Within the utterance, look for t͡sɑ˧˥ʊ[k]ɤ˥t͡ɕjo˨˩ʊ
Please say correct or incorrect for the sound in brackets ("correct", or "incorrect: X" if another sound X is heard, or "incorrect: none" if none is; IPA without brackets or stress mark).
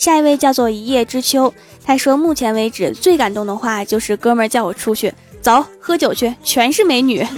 incorrect: x